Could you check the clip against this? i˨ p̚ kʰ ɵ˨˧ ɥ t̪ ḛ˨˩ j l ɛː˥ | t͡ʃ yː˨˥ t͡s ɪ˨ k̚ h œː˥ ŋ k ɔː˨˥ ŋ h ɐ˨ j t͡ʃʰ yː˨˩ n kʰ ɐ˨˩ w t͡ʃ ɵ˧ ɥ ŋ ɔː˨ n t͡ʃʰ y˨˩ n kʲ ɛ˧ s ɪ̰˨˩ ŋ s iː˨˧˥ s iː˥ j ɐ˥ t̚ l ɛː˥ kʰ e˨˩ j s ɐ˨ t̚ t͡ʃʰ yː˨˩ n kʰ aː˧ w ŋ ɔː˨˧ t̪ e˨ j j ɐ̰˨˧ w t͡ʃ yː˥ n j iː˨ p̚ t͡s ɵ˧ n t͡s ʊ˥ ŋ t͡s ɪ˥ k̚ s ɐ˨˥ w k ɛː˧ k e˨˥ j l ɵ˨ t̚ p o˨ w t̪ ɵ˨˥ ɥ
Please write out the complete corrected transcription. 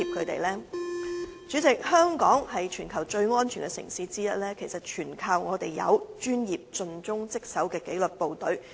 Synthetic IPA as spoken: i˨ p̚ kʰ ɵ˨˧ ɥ t̪ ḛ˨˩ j l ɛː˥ | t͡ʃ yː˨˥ t͡s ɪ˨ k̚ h œː˥ ŋ k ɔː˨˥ ŋ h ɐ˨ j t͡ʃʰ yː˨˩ n kʰ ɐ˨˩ w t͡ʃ ɵ˧ ɥ ŋ ɔː˥ n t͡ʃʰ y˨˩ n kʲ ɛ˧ s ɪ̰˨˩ ŋ s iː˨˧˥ t͡s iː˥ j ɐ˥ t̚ l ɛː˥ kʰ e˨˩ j s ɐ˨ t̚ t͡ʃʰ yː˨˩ n kʰ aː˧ w ŋ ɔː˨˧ t̪ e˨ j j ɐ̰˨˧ w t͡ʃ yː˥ n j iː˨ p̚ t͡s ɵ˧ n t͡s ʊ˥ ŋ t͡s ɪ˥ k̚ s ɐ˨˥ w k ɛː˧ k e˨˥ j l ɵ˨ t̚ p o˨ w t̪ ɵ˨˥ ɥ